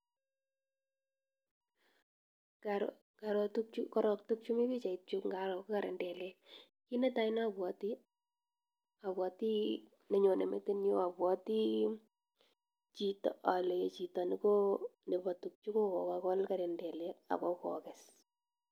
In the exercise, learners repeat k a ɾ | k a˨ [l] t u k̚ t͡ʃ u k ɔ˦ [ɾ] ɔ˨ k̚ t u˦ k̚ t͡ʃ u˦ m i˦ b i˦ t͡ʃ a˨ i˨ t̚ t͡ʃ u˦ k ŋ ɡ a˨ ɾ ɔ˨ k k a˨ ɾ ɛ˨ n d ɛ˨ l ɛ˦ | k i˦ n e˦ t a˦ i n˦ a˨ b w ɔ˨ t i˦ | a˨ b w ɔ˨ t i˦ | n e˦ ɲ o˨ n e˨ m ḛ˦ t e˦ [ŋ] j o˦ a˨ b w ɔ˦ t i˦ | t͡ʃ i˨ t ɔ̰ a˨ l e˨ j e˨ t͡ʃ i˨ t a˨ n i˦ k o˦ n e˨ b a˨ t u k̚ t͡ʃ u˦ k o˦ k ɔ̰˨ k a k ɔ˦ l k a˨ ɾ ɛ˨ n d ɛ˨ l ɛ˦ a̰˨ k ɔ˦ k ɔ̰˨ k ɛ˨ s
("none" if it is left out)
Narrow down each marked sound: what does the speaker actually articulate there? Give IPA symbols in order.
ɾ, ɾ, n

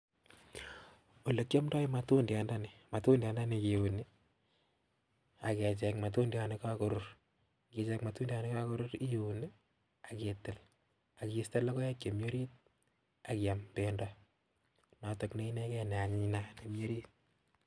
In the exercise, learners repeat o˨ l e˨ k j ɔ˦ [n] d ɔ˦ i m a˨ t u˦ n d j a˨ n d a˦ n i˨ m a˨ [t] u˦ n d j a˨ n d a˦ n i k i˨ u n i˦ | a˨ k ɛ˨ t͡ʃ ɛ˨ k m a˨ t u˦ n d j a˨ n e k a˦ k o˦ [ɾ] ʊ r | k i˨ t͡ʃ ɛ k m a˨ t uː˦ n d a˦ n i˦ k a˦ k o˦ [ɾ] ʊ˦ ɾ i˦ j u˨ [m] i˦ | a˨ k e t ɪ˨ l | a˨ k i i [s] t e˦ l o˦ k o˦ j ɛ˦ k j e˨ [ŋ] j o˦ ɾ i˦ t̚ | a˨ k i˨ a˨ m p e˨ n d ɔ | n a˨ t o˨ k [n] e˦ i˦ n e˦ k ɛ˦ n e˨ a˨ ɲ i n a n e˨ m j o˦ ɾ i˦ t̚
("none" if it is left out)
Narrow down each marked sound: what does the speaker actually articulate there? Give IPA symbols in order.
m, t, ɾ, ɾ, n, s, m, n

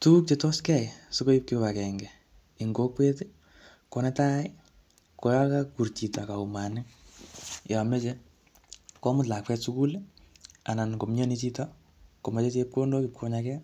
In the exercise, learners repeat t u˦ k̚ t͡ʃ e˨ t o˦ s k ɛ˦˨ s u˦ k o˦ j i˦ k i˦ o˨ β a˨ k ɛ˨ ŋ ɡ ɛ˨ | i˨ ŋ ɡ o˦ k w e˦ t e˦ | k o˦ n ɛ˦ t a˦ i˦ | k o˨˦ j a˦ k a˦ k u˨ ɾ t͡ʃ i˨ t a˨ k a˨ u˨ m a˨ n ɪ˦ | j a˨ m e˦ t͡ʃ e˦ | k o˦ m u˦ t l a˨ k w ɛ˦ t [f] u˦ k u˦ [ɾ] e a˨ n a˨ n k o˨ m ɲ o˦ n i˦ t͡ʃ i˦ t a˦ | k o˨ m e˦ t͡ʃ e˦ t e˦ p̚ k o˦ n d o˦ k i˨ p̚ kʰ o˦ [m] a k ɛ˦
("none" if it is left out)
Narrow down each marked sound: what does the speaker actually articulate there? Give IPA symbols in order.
s, l, ɲ

